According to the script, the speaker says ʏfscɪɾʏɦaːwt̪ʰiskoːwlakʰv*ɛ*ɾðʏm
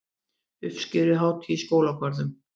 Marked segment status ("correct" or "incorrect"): incorrect